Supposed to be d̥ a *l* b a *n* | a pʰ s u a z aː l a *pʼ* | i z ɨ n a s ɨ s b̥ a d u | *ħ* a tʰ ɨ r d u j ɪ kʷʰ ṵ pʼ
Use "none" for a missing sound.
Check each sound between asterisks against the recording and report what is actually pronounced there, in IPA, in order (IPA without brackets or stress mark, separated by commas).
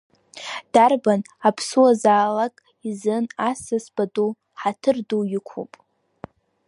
r, n, kʼ, ħ